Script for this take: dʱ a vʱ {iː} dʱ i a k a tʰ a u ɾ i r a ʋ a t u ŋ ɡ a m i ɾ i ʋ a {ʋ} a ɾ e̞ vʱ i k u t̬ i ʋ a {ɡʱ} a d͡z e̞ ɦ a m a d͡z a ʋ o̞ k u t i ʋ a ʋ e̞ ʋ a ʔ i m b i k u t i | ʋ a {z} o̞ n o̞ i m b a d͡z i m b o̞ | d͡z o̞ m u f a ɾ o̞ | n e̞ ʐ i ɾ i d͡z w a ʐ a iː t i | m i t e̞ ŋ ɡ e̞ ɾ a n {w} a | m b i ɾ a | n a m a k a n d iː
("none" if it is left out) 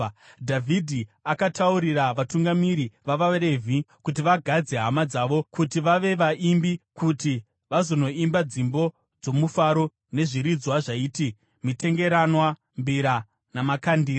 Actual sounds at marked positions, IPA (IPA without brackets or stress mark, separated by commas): i, ʋ, ɡʱ, z, w